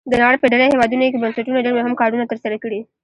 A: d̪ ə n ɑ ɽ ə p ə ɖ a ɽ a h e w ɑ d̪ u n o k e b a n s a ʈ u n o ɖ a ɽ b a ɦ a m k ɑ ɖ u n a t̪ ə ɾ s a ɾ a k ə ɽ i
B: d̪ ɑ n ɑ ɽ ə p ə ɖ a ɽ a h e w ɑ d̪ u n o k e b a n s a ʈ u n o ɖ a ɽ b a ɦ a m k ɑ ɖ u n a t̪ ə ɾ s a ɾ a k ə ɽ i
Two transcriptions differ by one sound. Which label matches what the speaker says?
A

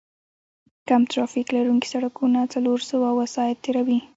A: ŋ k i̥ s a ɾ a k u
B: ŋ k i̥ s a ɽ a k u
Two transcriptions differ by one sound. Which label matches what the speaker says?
B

